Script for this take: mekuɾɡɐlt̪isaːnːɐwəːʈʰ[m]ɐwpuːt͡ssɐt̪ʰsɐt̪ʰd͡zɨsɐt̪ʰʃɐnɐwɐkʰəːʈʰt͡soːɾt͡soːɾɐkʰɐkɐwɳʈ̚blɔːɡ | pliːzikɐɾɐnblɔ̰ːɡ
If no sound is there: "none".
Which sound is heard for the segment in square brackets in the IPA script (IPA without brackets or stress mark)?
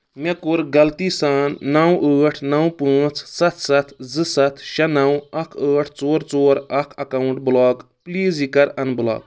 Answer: n